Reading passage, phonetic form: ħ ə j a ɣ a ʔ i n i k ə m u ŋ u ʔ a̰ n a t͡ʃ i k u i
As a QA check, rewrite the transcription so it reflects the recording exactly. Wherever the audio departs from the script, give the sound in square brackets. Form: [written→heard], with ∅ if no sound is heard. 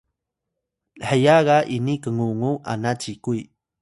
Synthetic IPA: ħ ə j a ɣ a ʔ i n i k ə [m→ŋ] u ŋ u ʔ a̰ n a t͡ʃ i k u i